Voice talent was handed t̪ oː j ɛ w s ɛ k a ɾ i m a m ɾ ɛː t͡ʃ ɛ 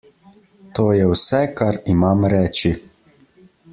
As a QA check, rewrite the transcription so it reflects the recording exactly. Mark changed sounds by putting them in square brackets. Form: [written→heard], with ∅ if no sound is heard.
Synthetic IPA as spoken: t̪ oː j ɛ w s ɛ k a ɾ i m a m ɾ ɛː t͡ʃ [ɛ→i]